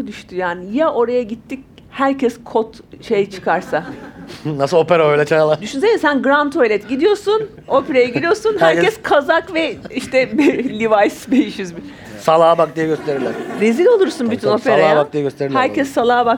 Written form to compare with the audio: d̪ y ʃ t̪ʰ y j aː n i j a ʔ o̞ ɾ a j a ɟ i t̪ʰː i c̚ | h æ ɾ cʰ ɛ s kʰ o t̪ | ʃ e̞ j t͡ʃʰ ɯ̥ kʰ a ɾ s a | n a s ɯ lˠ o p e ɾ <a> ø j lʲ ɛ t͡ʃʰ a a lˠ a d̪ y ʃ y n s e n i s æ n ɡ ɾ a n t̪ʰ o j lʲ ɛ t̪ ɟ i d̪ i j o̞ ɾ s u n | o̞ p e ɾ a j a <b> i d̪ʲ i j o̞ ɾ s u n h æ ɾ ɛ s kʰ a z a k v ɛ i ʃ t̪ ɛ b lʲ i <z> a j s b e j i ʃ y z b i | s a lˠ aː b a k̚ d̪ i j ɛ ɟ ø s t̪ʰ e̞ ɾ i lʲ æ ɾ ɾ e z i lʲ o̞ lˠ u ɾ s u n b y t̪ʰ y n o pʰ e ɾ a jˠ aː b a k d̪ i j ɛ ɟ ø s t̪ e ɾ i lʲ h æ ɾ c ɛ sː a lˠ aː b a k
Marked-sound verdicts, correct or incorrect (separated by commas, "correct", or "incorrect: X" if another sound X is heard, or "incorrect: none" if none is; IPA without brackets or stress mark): correct, incorrect: ɟ, incorrect: v